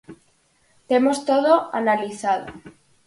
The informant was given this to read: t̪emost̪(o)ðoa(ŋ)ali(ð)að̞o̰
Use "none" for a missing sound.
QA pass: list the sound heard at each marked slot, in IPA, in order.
o, n, θ

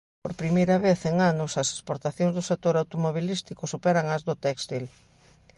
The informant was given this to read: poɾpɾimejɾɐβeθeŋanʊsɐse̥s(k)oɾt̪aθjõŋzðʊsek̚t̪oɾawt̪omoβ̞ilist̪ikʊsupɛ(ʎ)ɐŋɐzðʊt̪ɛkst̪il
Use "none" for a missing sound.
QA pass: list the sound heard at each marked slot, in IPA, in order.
p, ɾ

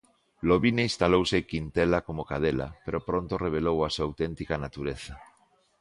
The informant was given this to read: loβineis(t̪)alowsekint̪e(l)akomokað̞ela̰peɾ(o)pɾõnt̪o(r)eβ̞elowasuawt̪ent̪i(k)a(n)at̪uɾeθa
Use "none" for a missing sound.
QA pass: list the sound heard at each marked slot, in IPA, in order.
t̪, l, o, r, k, n

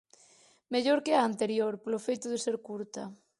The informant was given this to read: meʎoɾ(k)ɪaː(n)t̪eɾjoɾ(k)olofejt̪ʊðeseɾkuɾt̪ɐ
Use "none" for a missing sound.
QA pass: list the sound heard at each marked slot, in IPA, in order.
k, n, p

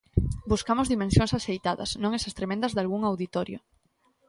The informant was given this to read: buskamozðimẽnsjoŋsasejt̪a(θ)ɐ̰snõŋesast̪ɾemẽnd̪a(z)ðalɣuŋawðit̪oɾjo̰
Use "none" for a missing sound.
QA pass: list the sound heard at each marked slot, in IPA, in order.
ð, z

